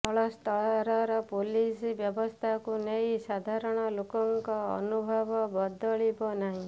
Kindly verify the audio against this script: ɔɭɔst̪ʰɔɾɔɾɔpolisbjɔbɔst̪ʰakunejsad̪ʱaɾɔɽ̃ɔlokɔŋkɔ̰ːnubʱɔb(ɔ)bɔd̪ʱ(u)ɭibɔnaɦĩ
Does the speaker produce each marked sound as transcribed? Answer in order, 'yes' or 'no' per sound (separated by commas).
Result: yes, no